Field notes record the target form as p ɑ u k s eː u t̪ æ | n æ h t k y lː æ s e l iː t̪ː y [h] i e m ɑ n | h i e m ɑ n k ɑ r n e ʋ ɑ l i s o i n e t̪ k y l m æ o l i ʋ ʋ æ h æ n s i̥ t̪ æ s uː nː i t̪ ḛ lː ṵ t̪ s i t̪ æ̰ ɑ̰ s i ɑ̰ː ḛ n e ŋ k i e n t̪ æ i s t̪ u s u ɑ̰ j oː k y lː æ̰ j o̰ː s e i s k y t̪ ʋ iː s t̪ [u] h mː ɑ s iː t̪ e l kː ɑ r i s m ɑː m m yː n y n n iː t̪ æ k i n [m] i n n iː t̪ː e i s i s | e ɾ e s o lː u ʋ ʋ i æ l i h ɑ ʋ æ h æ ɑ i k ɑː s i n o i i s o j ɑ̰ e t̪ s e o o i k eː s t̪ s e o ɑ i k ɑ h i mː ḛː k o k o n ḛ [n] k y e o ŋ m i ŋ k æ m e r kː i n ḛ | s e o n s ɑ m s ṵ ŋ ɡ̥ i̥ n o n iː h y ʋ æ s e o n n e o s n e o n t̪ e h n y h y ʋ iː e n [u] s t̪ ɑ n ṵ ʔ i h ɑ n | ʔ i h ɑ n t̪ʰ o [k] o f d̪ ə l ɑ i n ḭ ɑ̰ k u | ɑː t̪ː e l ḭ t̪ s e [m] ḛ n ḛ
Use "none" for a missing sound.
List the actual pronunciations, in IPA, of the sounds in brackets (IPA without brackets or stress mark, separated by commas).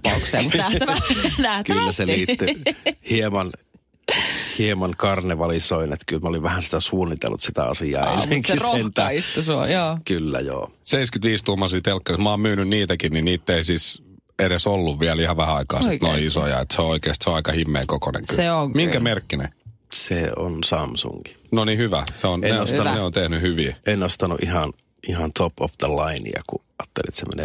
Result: h, u, n, ŋ, o, p, m